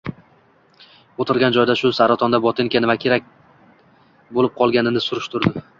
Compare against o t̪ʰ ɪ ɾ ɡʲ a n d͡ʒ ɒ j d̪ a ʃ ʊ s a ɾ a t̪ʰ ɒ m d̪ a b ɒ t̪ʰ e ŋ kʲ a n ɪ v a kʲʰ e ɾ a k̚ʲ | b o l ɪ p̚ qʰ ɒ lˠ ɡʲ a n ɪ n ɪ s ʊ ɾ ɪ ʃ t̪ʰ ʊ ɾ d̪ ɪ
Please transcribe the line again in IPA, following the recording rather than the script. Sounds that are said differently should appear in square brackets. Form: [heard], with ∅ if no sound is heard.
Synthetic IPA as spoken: o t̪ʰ ɪ ɾ ɡʲ a n d͡ʒ ɒ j d̪ a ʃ ʊ s a ɾ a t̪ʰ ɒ [n] d̪ a b ɒ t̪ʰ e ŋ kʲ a n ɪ v a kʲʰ e ɾ a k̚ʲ | b o l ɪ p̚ qʰ ɒ lˠ ɡʲ a n ɪ n ɪ s ʊ ɾ ɪ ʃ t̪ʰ ʊ ɾ d̪ ɪ